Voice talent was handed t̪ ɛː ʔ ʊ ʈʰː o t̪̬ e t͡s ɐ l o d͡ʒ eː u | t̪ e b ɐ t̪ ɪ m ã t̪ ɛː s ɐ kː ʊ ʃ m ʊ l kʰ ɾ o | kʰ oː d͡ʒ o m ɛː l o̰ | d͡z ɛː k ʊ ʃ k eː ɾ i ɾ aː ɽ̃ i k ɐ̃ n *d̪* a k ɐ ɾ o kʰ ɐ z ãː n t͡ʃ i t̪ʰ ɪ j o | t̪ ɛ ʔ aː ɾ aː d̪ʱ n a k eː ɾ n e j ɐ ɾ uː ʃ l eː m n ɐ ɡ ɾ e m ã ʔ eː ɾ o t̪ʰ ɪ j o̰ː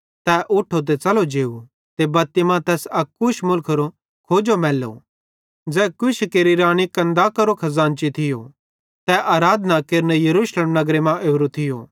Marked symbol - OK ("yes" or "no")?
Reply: yes